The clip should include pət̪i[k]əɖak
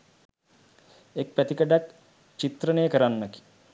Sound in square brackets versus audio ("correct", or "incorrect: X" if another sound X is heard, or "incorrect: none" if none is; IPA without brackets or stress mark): correct